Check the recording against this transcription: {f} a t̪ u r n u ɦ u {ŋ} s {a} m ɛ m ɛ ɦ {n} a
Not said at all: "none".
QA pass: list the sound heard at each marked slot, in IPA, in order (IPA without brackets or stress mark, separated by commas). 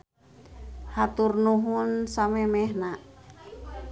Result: h, n, a, n